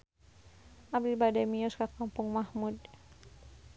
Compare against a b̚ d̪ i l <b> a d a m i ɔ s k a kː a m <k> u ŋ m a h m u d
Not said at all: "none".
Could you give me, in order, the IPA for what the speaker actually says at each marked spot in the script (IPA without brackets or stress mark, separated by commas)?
b, p